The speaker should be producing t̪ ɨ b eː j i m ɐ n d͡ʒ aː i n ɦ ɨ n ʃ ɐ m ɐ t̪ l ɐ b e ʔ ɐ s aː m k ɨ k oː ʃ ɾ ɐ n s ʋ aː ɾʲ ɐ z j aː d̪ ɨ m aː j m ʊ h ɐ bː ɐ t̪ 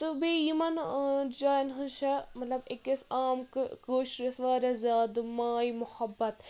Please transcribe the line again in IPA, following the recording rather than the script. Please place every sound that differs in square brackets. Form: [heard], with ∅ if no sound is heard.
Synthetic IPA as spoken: t̪ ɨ b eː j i m ɐ n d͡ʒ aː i n ɦ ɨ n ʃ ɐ m ɐ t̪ l ɐ b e [k] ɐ s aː m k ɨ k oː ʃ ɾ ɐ [∅] s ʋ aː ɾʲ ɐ z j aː d̪ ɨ m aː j m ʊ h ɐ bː ɐ t̪

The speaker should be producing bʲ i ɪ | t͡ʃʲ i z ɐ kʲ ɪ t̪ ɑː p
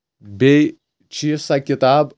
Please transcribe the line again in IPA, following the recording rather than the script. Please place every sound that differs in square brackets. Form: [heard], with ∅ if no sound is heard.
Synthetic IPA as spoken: bʲ [ɛ] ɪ | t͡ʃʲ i [s] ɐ kʲ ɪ t̪ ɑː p

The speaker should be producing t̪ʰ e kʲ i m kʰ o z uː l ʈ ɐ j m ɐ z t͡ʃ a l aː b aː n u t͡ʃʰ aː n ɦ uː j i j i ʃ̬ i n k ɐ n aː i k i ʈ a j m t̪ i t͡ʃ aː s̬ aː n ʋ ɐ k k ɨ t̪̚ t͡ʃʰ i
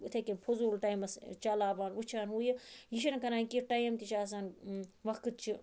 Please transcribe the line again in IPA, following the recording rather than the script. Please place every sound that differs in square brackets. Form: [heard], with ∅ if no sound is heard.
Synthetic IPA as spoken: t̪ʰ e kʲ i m [pʰ] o z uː l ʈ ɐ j m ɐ [s] t͡ʃ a l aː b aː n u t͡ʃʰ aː n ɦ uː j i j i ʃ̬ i n k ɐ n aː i k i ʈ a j m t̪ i t͡ʃ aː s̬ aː n ʋ ɐ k k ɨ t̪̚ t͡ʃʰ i

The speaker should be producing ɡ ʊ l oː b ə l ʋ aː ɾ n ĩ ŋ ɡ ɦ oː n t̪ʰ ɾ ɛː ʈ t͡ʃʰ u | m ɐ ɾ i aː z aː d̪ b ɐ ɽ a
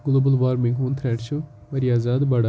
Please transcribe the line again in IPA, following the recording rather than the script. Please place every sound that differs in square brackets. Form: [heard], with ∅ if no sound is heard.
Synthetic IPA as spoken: ɡ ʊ l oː b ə l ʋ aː ɾ [m] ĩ ŋ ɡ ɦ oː n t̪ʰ ɾ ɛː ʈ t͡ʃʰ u | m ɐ ɾ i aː z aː d̪ b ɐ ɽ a

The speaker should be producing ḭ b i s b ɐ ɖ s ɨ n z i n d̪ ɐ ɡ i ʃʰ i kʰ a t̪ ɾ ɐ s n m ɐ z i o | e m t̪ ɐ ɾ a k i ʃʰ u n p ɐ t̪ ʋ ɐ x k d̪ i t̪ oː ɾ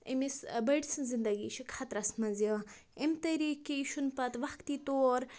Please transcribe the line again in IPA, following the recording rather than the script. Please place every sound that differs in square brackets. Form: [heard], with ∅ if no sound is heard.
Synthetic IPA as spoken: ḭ [m] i s b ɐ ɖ s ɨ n z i n d̪ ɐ ɡ i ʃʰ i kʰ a t̪ ɾ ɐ s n m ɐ z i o | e m t̪ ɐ ɾ [i] k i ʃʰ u n p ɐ t̪ ʋ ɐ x k [t̪] i t̪ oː ɾ

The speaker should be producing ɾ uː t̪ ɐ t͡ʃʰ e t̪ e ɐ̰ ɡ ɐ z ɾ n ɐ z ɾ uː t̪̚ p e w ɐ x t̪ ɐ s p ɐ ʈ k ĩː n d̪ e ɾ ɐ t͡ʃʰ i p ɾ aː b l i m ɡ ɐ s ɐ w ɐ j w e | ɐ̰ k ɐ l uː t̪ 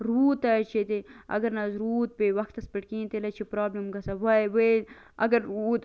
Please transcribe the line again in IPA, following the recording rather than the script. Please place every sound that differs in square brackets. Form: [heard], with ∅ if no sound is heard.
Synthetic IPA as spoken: ɾ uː t̪ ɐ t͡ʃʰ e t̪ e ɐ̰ ɡ ɐ [∅] ɾ n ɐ z ɾ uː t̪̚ p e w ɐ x t̪ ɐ s p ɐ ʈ k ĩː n [t̪] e [l] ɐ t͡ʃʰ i p ɾ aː b l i m ɡ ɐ s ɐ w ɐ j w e | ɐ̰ [ɡ] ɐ [ɾ] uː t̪

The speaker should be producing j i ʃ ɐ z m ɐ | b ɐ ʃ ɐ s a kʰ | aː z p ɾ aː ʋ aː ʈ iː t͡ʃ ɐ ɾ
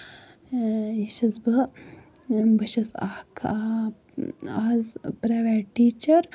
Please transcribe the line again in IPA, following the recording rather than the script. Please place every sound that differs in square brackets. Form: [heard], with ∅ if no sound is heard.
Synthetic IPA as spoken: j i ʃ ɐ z [b] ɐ | b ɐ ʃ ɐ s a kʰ | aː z p ɾ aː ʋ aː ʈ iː t͡ʃ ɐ ɾ

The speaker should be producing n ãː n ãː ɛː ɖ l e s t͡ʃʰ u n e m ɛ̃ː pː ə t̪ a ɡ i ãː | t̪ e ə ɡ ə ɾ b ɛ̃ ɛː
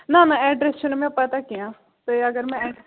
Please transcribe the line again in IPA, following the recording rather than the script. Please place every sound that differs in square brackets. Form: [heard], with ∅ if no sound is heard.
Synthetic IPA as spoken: n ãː n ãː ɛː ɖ [ɾ] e s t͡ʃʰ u n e m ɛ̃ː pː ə t̪ a [k] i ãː | t̪ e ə ɡ ə ɾ [m] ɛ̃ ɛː

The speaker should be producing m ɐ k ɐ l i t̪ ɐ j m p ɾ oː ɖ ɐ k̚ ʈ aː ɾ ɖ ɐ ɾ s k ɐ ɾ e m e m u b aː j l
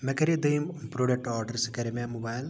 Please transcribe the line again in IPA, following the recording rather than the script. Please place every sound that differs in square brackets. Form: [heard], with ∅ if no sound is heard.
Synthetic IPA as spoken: m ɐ k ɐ [ɾ] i [d̪] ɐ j m p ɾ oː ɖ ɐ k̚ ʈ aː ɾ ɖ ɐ ɾ s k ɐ ɾ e m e m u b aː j l

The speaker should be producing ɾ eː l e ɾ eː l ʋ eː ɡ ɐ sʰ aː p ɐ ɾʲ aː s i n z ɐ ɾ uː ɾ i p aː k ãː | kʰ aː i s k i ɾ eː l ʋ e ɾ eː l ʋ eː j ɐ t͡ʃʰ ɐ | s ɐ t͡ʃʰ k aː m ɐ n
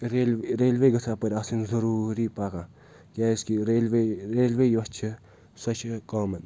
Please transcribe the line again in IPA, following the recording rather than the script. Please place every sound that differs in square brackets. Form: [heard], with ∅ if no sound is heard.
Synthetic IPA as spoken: ɾ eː l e ɾ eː l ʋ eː ɡ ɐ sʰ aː p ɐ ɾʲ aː s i n z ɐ ɾ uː ɾ i p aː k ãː | [k] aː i s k i ɾ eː l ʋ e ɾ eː l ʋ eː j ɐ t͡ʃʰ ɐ | s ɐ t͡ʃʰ k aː m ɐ n

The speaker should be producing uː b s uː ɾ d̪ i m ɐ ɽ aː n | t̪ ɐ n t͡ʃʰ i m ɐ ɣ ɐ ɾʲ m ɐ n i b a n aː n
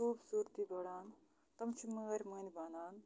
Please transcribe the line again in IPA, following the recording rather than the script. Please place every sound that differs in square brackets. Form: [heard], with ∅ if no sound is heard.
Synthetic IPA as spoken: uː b s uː ɾ [t̪] i [b] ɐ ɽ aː n | t̪ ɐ [m] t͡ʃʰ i m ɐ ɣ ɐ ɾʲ m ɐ n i b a n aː n

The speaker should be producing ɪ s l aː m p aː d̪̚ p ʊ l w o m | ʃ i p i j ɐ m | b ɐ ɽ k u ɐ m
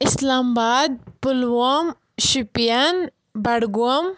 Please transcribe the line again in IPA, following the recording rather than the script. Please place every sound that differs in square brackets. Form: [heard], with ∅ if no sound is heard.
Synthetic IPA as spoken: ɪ s l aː m [b] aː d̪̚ p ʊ l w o m | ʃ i p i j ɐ [n] | b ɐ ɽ [ɡ] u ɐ m

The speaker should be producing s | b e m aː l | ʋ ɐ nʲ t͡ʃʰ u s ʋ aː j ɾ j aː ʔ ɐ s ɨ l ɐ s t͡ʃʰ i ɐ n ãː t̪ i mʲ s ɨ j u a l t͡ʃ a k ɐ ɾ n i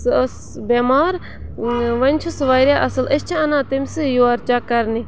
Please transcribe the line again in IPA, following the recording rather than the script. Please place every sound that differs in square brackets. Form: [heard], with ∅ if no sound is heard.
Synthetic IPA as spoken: s | b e m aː [ɾ] | ʋ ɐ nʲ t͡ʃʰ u s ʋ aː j ɾ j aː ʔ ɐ s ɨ l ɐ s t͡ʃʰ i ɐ n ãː t̪ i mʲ s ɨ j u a [ɾ] t͡ʃ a k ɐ ɾ n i

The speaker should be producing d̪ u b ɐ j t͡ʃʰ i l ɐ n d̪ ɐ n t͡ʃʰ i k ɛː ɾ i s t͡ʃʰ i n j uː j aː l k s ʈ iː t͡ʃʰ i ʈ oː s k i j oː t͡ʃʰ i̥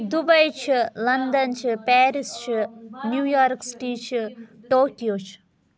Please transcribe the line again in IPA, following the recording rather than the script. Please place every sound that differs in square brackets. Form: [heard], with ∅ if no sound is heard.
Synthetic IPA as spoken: d̪ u b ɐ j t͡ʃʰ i l ɐ n d̪ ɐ n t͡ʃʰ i [p] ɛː ɾ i s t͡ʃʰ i n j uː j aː [ɾ] k s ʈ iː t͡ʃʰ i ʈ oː [∅] k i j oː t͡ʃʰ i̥

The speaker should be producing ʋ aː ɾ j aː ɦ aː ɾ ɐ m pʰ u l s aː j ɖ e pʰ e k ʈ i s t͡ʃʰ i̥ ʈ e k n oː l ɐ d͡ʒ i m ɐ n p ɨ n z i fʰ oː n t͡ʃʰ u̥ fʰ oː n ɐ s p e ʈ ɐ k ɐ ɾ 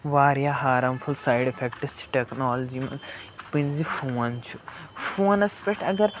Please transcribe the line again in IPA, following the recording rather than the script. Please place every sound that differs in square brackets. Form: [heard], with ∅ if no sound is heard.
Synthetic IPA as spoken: ʋ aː ɾ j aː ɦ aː ɾ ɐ m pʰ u l s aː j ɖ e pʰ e k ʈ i s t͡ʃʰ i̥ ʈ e k n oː l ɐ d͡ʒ i m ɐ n p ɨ n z i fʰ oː n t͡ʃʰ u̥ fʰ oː n ɐ s p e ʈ ɐ [ɡ] ɐ ɾ

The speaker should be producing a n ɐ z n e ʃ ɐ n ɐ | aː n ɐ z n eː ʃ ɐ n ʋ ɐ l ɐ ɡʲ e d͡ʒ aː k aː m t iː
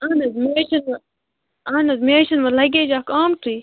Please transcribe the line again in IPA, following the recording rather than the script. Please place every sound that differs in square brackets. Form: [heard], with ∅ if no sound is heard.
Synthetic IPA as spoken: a n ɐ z [m] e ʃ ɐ n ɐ | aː n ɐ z [m] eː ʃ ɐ n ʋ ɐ l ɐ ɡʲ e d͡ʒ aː k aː m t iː

